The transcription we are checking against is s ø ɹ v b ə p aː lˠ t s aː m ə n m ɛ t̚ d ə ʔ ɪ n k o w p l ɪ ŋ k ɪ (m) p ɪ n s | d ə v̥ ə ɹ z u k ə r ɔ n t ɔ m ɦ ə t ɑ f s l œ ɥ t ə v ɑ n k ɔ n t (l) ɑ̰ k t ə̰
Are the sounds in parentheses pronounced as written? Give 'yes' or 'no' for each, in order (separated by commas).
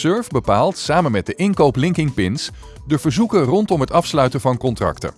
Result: no, no